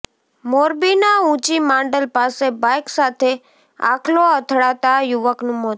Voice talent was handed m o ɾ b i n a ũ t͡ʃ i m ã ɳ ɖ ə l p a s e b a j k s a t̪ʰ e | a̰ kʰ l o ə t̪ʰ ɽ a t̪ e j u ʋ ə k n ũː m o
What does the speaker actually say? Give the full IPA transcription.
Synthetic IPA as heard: m o ɾ b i n a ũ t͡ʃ i m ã ɳ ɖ ə l p a s e b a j k s a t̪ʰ e | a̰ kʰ l o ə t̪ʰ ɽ a t̪ a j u ʋ ə k n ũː m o